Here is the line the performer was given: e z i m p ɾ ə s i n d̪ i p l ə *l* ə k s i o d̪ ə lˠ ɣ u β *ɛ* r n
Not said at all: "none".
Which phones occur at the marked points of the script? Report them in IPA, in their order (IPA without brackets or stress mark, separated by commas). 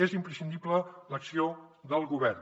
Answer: l, ɛ